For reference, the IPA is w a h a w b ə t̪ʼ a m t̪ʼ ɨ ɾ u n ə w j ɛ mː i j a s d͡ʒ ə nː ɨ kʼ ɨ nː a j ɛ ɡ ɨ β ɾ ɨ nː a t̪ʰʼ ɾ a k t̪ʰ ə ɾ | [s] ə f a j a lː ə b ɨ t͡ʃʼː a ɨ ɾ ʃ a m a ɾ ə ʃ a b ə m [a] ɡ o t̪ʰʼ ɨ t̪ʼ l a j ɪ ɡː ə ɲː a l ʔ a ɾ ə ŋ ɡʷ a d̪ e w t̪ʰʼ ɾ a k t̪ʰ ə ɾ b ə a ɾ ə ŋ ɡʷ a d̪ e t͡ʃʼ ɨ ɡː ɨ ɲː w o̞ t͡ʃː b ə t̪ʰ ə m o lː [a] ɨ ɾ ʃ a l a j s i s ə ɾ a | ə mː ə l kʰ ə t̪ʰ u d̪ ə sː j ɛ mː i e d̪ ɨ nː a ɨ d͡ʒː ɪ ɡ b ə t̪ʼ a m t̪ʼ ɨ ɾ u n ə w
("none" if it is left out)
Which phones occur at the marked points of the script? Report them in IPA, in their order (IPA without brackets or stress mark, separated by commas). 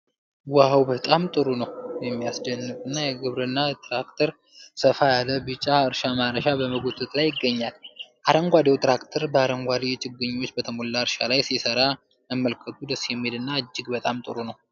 s, ə, a